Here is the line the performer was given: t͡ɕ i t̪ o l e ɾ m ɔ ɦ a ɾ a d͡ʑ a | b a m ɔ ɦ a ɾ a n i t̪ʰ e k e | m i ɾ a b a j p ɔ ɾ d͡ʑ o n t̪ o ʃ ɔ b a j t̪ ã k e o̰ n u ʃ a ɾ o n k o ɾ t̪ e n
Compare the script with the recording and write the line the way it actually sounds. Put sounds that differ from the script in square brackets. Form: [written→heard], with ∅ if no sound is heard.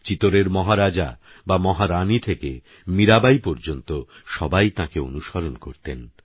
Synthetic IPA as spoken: t͡ɕ i t̪ o [l→ɾ] e ɾ m ɔ ɦ a ɾ a d͡ʑ a | b a m ɔ ɦ a ɾ a n i t̪ʰ e k e | m i ɾ a b a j p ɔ ɾ d͡ʑ o n t̪ o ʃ ɔ b a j t̪ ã k e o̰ n u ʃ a ɾ o n k o ɾ t̪ e n